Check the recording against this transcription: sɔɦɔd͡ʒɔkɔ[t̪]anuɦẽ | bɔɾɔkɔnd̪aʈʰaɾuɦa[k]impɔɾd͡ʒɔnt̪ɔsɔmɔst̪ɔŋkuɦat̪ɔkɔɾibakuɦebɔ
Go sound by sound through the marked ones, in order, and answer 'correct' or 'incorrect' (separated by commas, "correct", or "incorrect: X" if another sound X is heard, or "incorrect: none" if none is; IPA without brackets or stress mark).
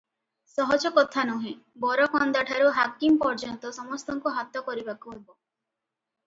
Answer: incorrect: t̪ʰ, correct